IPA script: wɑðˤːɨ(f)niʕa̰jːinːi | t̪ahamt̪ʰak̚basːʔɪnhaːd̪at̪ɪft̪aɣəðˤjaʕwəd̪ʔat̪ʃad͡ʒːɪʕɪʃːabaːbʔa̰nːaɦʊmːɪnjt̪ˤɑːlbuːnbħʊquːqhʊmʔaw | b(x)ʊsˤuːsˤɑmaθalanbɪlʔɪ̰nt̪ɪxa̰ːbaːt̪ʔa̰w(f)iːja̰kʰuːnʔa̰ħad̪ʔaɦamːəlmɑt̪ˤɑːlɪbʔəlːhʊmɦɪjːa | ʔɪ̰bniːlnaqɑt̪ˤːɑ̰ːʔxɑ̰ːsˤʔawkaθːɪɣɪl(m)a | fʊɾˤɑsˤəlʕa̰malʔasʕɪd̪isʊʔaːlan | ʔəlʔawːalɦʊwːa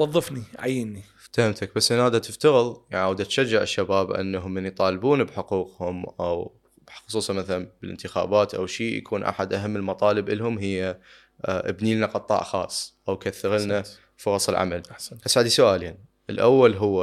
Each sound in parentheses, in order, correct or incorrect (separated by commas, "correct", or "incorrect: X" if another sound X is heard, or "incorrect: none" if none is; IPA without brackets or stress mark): correct, correct, incorrect: ʃ, incorrect: n